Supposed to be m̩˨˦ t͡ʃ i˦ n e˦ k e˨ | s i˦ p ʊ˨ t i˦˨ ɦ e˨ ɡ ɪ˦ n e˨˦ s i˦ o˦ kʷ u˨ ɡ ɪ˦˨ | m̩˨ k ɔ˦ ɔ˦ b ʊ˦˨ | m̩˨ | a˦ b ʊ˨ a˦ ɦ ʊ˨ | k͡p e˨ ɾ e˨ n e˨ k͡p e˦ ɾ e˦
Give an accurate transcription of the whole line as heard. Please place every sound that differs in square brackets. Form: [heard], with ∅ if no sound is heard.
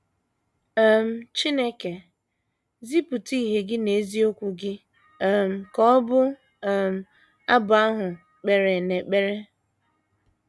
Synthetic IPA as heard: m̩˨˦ t͡ʃ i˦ n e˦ k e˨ | [z] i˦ p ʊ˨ t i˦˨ ɦ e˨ ɡ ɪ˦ n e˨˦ [z] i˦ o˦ kʷ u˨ ɡ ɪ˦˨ | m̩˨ k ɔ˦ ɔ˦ b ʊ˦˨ | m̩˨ | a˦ b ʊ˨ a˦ ɦ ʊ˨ | k͡p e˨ ɾ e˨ n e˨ k͡p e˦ ɾ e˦